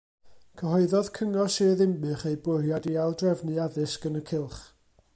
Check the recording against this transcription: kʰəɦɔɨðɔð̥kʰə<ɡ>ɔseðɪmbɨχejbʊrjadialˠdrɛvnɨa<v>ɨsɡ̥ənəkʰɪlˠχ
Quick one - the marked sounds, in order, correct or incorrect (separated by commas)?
incorrect, incorrect